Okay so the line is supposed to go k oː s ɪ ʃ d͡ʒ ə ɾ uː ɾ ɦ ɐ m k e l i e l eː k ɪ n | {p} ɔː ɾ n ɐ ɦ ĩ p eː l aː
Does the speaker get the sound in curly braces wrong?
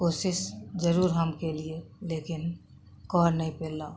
yes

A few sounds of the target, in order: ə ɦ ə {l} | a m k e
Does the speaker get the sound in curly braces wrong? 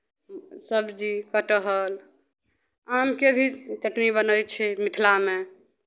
no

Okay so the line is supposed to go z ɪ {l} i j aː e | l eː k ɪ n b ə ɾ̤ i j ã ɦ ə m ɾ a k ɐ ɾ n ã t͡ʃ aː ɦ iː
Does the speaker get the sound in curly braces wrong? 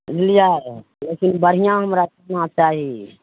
no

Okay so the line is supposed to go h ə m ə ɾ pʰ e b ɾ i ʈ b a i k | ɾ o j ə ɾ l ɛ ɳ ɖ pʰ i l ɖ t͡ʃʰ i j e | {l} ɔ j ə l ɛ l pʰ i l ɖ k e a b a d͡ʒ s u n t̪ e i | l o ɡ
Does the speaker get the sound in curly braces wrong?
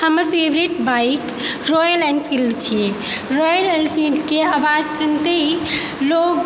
yes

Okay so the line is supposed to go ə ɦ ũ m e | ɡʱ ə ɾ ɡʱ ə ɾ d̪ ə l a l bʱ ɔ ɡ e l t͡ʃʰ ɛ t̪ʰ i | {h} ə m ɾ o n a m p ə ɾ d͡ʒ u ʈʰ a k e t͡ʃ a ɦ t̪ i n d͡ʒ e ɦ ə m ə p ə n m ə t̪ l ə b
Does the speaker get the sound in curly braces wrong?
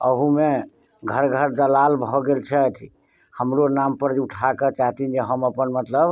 no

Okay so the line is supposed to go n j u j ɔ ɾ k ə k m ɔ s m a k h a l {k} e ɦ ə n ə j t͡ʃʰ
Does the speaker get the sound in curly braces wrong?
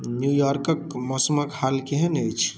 no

